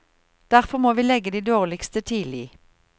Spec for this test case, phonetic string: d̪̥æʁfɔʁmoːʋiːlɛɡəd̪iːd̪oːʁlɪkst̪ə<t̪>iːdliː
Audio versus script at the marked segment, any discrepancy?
yes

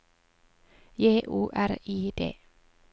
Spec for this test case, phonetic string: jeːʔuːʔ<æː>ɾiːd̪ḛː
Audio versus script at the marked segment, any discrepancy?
yes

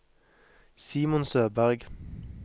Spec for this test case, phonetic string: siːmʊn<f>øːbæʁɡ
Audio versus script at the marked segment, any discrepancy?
yes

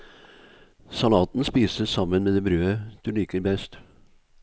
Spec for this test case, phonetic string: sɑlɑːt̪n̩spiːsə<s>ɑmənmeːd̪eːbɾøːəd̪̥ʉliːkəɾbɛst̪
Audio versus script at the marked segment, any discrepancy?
no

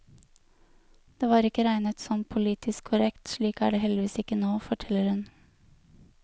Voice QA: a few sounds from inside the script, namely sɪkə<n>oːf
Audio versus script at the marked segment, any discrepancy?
no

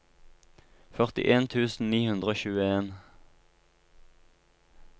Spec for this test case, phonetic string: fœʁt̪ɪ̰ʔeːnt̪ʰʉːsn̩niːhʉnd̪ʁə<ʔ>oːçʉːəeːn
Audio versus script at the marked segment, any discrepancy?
yes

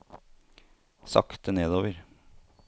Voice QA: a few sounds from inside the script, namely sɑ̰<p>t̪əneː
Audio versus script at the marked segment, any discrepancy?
yes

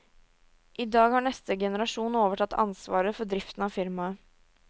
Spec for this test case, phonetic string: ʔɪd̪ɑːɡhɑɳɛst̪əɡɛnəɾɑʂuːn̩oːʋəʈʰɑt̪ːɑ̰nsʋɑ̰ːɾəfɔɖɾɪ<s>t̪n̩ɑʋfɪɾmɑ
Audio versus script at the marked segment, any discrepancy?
yes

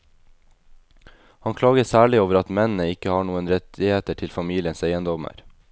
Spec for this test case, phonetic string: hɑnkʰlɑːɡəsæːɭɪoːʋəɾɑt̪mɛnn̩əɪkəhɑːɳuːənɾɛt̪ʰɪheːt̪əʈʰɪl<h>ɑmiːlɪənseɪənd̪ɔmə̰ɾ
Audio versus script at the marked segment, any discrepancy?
yes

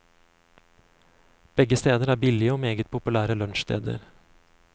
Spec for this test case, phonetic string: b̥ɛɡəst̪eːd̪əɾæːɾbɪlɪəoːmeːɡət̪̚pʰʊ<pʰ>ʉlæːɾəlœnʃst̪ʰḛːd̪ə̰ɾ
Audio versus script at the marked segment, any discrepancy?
yes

